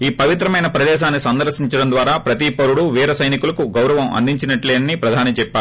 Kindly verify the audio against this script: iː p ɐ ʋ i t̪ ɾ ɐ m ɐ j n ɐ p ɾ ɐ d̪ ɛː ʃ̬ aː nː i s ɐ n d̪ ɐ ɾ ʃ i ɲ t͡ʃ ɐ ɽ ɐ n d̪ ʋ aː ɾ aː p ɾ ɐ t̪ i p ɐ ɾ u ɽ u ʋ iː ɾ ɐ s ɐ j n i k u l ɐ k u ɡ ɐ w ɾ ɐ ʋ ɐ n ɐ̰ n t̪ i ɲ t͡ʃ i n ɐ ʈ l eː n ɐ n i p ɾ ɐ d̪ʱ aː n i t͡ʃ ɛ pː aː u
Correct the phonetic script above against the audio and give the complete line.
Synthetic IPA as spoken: iː p ɐ ʋ i t̪ ɾ ɐ m ɐ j n ɐ p ɾ ɐ d̪ ɛː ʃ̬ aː nː i s ɐ n d̪ ɐ ɾ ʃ i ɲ t͡ʃ ɐ ɽ ɐ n d̪ ʋ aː ɾ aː p ɾ ɐ t̪ i p ɐ ɾ u ɽ u ʋ iː ɾ ɐ s ɐ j n i k u l ɐ k u ɡ ɐ w ɾ ɐ ʋ ɐ m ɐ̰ n d̪ i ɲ t͡ʃ i n ɐ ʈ l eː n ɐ n i p ɾ ɐ d̪ʱ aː n i t͡ʃ ɛ pː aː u